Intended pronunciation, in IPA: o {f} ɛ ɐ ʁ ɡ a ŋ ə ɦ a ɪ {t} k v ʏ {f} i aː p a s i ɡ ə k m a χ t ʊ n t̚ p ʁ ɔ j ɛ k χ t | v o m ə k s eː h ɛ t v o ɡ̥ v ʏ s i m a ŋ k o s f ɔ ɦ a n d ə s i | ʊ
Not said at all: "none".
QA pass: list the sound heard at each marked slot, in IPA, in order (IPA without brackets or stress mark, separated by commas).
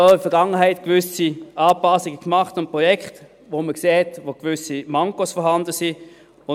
f, t, s